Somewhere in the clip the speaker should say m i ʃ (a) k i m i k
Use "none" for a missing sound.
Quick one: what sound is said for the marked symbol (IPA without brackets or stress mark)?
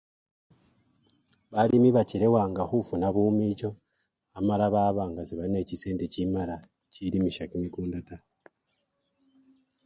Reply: a